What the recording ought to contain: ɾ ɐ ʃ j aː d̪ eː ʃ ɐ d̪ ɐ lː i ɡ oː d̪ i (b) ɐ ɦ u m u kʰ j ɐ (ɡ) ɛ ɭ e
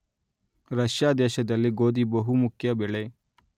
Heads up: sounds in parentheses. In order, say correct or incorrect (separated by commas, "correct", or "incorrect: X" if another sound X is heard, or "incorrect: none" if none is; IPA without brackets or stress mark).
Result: correct, incorrect: b